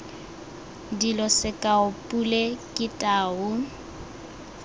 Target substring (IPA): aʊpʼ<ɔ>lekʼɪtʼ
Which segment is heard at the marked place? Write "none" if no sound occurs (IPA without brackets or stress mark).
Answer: u